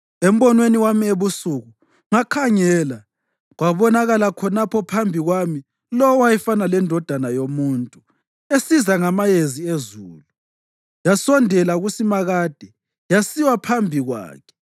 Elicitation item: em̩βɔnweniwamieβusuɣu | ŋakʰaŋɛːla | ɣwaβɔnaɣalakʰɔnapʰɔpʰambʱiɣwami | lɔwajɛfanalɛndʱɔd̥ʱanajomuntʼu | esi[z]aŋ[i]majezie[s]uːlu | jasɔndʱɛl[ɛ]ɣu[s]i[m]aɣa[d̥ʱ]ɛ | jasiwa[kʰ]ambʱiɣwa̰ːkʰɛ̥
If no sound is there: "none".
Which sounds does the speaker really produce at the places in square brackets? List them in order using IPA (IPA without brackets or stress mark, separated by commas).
z, a, z, a, s, m, d̥ʱ, pʰ